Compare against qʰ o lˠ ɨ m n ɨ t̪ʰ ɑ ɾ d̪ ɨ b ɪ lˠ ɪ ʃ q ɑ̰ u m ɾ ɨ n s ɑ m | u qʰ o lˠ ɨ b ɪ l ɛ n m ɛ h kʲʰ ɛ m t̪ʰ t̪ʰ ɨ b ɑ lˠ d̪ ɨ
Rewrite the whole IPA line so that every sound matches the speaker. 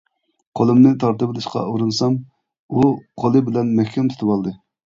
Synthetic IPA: qʰ o lˠ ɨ m n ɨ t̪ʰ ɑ ɾ t̪ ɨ b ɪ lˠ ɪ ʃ q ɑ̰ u ɾ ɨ n s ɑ m | u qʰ o lˠ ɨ b ɪ l ɛ n m ɛ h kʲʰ ɛ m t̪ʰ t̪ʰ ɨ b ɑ lˠ d̪ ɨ